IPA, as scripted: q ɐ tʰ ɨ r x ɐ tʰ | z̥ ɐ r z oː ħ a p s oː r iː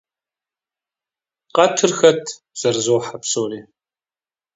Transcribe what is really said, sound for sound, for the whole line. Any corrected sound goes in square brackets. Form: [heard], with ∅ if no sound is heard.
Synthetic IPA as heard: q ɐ tʰ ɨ r x ɐ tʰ | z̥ ɐ r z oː ħ a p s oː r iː